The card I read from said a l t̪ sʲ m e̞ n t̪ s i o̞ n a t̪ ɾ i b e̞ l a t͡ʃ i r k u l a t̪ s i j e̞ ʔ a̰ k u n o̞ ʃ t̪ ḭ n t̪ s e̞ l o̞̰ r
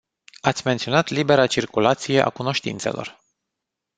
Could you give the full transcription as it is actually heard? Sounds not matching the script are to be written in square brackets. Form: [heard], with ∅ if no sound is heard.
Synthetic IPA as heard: a [∅] t̪ sʲ m e̞ n t̪ s i o̞ n a t̪ [l] i b e̞ [ɾ] a t͡ʃ i r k u l a t̪ s i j e̞ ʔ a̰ k u n o̞ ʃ t̪ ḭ n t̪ s e̞ l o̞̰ r